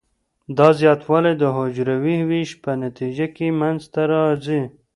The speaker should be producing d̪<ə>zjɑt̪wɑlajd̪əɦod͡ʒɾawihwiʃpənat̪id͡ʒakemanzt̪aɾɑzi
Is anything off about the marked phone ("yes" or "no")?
yes